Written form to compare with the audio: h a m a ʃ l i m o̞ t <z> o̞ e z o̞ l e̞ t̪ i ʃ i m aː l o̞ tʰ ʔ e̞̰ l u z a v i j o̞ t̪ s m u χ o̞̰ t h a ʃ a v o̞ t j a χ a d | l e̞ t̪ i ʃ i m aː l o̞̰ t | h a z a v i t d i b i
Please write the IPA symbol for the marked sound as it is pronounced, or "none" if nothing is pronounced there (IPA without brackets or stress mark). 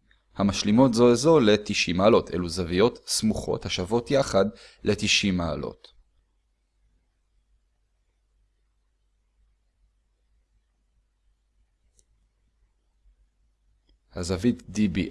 z